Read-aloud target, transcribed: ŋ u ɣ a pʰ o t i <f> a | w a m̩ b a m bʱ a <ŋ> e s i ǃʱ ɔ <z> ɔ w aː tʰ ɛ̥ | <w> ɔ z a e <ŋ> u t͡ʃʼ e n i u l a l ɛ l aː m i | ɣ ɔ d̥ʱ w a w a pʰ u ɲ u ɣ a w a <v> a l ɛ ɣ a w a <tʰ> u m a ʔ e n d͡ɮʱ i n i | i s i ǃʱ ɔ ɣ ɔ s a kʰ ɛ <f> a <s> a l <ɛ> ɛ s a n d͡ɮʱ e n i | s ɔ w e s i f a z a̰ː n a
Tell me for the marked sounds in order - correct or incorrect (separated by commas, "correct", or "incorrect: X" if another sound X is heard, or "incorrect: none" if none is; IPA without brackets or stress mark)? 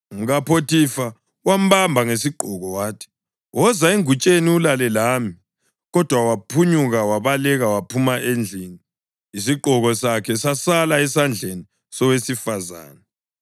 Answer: correct, correct, incorrect: ɣ, correct, correct, incorrect: β, incorrect: pʰ, incorrect: s, correct, incorrect: a